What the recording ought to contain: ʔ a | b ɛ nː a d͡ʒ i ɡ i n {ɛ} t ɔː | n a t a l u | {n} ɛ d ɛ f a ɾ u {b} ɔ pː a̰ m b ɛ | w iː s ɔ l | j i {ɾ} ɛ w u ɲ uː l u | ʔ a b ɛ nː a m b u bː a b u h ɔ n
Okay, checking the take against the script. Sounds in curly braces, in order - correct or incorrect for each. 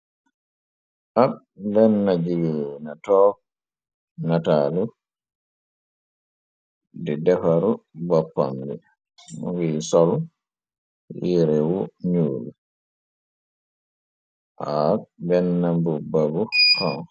incorrect: a, incorrect: d, correct, correct

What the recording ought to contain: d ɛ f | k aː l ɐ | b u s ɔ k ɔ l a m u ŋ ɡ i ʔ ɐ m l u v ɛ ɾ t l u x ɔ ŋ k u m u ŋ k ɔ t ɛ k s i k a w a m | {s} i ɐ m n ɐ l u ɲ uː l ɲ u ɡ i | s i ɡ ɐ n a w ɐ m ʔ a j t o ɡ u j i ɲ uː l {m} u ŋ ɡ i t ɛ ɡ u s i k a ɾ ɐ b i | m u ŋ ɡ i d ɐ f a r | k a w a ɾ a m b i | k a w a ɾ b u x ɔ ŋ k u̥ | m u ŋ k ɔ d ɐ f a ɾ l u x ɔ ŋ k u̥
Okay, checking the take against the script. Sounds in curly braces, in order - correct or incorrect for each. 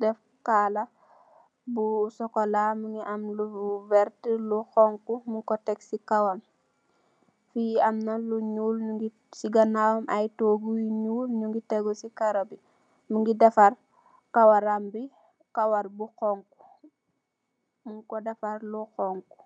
incorrect: f, incorrect: ɲ

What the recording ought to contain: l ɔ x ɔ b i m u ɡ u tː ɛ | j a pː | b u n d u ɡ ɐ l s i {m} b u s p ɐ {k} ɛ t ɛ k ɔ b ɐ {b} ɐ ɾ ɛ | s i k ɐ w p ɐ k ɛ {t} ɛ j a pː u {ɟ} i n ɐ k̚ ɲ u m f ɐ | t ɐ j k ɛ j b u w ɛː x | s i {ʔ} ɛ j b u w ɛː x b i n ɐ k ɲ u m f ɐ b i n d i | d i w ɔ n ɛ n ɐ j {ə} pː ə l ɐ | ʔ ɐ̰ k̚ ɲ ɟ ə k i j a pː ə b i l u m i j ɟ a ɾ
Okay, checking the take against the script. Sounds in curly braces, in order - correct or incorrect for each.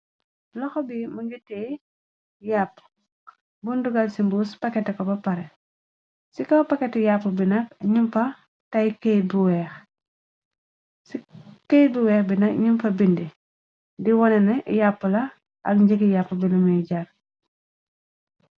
correct, correct, incorrect: p, correct, incorrect: b, incorrect: k, incorrect: a

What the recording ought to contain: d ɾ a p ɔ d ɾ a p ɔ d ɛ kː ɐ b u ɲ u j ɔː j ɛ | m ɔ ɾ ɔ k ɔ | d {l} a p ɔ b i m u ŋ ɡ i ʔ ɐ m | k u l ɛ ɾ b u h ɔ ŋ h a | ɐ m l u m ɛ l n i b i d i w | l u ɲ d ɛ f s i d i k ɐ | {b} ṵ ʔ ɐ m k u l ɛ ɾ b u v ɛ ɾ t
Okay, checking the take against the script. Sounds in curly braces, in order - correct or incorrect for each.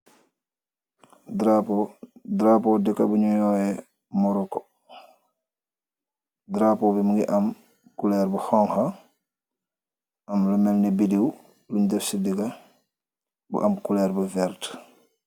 incorrect: ɾ, correct

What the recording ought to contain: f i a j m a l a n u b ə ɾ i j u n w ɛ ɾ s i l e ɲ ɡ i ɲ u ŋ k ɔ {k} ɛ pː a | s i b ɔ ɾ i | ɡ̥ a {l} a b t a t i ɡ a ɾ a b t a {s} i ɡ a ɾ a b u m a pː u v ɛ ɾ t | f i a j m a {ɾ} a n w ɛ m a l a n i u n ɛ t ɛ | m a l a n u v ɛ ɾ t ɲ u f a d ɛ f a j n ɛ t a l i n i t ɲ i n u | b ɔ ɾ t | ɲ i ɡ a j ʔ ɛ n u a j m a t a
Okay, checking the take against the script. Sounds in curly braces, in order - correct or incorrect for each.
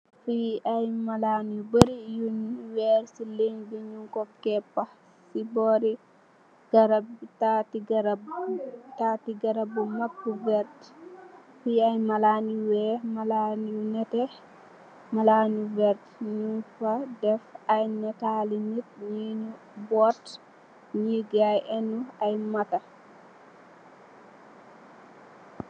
correct, incorrect: ɾ, incorrect: t, incorrect: l

